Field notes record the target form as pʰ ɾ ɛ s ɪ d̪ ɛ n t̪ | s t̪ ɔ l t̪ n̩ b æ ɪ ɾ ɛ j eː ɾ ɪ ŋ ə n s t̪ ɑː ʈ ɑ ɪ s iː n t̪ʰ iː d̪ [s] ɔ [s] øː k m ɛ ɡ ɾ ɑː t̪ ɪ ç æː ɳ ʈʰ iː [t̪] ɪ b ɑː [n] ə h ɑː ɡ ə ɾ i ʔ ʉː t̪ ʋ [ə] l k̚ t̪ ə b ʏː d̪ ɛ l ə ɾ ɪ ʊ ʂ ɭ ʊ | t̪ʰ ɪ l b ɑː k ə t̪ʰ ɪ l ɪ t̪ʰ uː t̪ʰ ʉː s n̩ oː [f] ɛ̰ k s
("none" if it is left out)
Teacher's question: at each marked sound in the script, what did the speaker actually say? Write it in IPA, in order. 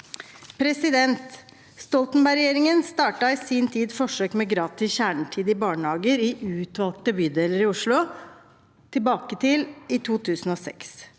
f, ʂ, d̪, ɳ, ɑ, s

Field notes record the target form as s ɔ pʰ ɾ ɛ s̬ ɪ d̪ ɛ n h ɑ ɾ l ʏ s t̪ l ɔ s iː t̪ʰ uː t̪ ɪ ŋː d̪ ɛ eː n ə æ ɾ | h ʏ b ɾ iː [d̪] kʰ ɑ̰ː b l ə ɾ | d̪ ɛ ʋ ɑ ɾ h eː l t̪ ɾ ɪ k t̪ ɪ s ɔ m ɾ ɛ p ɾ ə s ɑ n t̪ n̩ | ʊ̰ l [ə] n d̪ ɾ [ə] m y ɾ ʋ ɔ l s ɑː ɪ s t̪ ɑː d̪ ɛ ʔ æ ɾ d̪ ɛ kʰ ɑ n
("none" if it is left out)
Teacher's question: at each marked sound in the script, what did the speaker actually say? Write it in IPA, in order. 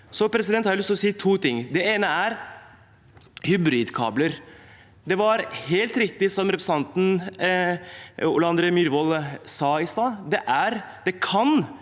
d̪, ɑ, ə

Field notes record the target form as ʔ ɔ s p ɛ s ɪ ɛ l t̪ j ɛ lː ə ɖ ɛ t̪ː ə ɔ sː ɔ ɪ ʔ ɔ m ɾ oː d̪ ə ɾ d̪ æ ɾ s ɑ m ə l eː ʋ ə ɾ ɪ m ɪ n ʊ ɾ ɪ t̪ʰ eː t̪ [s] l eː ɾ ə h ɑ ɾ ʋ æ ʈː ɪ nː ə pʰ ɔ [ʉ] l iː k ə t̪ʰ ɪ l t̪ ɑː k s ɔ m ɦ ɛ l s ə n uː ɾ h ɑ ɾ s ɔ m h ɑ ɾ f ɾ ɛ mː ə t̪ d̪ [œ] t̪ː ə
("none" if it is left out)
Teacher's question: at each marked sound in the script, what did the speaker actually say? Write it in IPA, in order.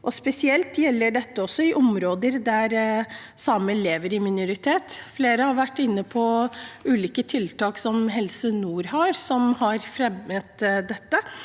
f, ʉː, ɛ

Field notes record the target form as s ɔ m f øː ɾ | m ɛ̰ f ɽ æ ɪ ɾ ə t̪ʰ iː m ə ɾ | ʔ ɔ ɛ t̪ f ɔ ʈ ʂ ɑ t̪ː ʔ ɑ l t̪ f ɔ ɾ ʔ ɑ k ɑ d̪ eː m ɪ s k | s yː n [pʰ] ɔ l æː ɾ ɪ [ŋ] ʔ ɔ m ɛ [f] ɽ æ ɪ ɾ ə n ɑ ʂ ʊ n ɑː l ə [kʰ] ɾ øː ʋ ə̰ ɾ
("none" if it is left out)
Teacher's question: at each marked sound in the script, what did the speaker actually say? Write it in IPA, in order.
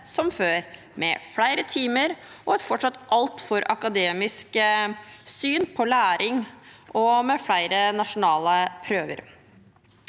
pʰ, ŋ, f, pʰ

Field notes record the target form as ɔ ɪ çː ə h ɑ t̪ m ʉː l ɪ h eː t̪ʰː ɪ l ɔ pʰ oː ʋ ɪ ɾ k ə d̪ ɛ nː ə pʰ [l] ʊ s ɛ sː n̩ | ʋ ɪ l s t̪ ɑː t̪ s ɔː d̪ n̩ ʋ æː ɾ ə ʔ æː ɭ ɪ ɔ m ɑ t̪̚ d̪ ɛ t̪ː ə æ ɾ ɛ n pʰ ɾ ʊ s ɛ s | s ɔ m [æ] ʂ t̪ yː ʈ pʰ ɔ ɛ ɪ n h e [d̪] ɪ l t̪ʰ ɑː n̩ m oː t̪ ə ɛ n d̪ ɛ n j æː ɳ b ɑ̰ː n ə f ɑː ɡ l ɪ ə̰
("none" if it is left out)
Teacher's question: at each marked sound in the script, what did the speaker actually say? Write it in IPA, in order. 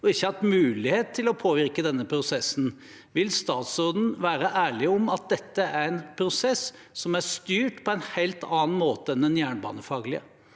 ɾ, æ, none

